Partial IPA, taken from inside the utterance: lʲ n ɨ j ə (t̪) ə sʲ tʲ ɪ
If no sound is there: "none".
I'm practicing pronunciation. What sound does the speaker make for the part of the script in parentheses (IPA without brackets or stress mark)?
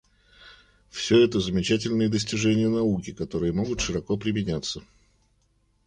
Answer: d̪